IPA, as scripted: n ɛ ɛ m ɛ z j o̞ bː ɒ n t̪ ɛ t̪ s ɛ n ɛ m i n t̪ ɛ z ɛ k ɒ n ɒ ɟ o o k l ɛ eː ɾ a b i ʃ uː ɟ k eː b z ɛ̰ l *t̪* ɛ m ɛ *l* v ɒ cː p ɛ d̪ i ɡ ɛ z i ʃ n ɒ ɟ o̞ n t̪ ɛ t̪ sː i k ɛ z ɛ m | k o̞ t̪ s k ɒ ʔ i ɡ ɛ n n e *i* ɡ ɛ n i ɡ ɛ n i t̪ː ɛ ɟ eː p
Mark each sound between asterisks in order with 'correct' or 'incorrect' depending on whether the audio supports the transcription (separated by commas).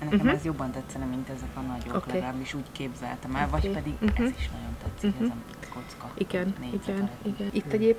correct, correct, correct